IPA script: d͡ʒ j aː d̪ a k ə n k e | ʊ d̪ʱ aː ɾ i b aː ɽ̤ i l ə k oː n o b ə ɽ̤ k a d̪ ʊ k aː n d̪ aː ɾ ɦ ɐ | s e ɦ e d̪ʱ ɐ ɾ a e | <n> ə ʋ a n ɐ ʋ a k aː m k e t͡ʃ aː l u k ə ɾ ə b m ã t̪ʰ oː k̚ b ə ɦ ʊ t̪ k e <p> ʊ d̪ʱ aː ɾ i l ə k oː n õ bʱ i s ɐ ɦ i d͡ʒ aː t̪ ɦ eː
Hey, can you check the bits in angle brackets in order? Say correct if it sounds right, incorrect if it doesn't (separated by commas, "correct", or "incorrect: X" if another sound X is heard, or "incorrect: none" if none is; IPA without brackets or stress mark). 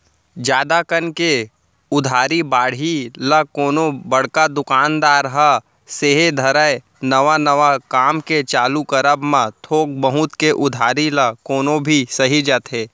correct, incorrect: ʔ